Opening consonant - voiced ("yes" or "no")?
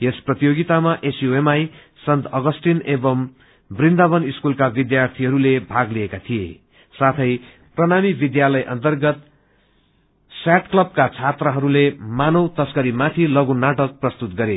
no